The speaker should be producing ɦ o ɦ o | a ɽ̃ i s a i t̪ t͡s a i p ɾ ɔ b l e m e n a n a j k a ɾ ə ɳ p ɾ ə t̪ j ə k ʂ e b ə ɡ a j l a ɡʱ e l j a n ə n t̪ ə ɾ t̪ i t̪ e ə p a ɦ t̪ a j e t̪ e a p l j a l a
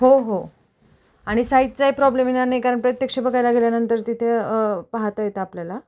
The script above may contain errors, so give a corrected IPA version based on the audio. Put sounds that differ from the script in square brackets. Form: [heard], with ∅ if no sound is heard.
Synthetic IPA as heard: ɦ o ɦ o | a ɽ̃ i s a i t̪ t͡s a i p ɾ ɔ b l e m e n a n a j k a ɾ ə ɳ p ɾ ə t̪ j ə k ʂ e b ə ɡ a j l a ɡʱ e l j a n ə n t̪ ə ɾ t̪ i [t̪ʰ] e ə p a ɦ t̪ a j e t̪ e a p l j a l a